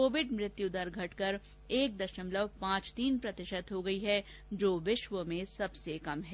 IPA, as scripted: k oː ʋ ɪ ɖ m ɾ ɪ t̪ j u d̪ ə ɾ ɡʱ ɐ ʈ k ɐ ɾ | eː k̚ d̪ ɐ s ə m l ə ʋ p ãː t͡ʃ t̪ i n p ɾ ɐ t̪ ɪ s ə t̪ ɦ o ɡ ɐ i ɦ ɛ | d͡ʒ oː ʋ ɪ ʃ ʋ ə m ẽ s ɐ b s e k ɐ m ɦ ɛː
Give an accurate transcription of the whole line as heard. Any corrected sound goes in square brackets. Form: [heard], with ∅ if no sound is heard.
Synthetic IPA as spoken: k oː ʋ ɪ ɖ m ɾ ɪ t̪ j u d̪ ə ɾ ɡʱ ɐ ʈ k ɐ ɾ | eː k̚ d̪ ɐ [ʃ] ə m l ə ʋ p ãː t͡ʃ t̪ [iː] n p ɾ ɐ t̪ ɪ [ʃ] ə t̪ ɦ o ɡ ɐ i ɦ ɛ | d͡ʒ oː ʋ ɪ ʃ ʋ ə m ẽ s ɐ b s e k ɐ m ɦ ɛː